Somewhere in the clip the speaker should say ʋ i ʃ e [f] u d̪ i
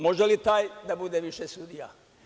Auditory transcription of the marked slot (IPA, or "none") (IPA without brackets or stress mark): s